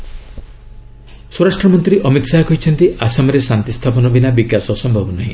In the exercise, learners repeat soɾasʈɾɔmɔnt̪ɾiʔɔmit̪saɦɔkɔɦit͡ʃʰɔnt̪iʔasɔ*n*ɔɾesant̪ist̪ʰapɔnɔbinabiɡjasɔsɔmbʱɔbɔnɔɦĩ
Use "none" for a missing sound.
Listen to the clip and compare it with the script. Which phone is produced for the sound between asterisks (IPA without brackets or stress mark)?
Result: m